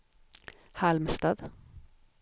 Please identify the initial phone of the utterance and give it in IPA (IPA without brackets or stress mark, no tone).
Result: h